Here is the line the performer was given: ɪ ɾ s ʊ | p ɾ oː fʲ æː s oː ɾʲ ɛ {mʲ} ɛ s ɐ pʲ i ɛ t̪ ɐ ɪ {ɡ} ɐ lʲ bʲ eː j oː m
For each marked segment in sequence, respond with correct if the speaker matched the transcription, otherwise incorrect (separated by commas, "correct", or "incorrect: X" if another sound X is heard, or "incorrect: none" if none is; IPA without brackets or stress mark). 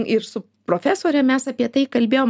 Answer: correct, incorrect: k